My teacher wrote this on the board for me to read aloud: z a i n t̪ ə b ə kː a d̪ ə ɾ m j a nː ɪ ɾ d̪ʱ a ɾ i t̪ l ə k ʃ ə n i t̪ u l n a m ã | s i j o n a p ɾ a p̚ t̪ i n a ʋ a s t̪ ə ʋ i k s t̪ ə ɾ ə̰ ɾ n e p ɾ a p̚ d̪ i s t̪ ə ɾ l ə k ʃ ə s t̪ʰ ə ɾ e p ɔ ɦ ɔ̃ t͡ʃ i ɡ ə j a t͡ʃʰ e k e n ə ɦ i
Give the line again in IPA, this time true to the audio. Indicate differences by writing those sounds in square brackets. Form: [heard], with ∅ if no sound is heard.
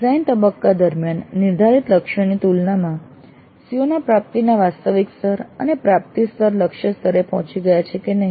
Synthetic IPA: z a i n t̪ ə b ə kː a d̪ ə ɾ m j a nː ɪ ɾ d̪ʱ a ɾ i t̪ l ə k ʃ ə n i t̪ u l n a m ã | s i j o n a p ɾ a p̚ t̪ i n a ʋ a s t̪ ə ʋ i k s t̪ ə ɾ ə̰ [∅] n e p ɾ a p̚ [t̪] i s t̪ ə ɾ l ə k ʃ ə s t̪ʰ ə ɾ e p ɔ ɦ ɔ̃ t͡ʃ i ɡ ə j a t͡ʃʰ e k e n ə ɦ i

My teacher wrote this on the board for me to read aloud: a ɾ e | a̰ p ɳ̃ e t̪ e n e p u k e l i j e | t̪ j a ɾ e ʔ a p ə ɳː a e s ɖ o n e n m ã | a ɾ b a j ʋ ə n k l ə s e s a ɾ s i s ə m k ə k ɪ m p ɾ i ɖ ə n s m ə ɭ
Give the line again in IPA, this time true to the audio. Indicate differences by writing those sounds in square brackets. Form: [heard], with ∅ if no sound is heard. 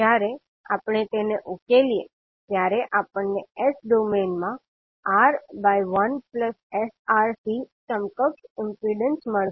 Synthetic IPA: a ɾ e | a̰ p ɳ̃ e t̪ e n e [ʔ] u k e l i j e | t̪ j a ɾ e ʔ a p ə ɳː [e] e s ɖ o [m] e n m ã | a ɾ b a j ʋ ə n [p] l ə s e s a ɾ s i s ə m k ə k ɪ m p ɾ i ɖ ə n s m ə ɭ

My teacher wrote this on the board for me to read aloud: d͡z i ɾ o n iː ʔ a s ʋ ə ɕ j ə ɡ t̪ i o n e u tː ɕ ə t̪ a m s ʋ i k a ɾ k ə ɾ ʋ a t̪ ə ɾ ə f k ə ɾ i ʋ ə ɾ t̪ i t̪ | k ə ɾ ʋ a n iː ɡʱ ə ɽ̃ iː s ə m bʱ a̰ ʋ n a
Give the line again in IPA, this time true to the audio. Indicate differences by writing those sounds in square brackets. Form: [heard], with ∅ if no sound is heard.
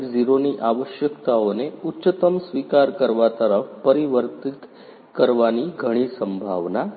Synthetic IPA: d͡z i ɾ o n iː ʔ a [∅] ʋ ə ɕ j ə [k] t̪ [a] o n e u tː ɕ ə t̪ [ə] m s ʋ i k a ɾ k ə ɾ ʋ a t̪ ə ɾ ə f [p] ə ɾ i ʋ ə ɾ t̪ i t̪ | k ə ɾ ʋ a n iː ɡʱ ə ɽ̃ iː s ə m bʱ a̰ ʋ n a

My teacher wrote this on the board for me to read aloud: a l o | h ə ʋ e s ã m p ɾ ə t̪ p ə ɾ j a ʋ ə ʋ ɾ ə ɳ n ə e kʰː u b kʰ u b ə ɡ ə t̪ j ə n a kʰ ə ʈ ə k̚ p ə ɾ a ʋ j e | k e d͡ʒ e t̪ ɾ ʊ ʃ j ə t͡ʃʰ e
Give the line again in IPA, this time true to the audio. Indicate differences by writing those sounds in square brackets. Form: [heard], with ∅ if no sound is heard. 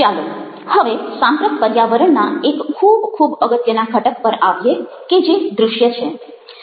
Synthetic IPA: a l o | h ə ʋ e s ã m p ɾ ə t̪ p ə ɾ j a ʋ ə [∅] ɾ ə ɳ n [a] e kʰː u b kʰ u b ə ɡ ə t̪ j ə n a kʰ ə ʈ ə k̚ p ə ɾ a ʋ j e | k e d͡ʒ e [d̪] ɾ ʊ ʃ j ə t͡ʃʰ e

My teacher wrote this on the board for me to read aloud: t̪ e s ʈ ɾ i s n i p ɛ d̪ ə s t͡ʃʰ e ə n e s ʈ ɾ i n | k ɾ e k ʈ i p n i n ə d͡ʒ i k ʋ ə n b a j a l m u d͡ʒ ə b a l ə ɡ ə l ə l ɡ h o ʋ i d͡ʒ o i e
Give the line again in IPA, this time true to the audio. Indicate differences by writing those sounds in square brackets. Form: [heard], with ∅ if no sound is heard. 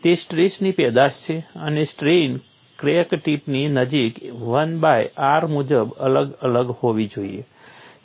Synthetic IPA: t̪ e s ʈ ɾ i s n i p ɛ d̪ [a] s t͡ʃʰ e ə n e s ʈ ɾ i n | k ɾ e k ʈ i p n i n ə d͡ʒ i k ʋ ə n b a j a [ɾ] m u d͡ʒ ə b [ə] l ə ɡ ə l ə [∅] ɡ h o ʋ i d͡ʒ o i e

